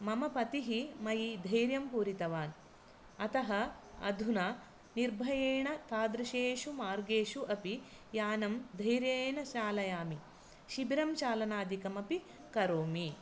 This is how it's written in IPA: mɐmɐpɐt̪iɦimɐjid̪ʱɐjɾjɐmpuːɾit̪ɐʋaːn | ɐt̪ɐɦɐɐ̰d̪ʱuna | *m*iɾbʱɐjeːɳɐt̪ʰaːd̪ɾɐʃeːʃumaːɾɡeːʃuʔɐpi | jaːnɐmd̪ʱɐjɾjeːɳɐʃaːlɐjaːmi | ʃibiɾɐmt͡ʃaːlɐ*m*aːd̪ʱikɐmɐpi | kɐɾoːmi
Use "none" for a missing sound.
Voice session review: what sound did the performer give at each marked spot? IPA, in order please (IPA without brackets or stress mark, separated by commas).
n, n